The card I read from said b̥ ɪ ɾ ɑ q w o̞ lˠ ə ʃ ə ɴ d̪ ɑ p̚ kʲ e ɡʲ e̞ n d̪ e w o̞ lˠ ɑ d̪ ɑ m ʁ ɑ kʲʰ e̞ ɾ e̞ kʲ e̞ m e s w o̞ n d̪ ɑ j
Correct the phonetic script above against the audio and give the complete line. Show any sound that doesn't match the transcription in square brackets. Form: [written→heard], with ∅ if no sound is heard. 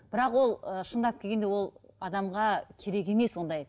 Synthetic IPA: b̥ ɪ ɾ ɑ q w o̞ lˠ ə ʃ ə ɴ d̪ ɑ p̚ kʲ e ɡʲ e̞ n d̪ e w o̞ lˠ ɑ d̪ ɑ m ʁ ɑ kʲʰ e̞ ɾ e̞ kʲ e̞ m e s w o̞ n d̪ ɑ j